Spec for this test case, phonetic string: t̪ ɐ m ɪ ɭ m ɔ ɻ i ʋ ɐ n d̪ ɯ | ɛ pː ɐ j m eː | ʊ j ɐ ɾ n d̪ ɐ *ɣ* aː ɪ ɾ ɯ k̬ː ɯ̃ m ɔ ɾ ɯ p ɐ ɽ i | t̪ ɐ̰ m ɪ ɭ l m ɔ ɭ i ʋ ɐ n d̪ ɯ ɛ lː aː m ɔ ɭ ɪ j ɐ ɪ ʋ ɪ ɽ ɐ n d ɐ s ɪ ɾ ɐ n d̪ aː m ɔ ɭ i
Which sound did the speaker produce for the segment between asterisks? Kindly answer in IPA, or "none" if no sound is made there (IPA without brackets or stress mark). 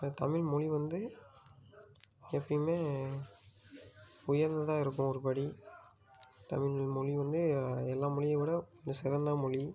ð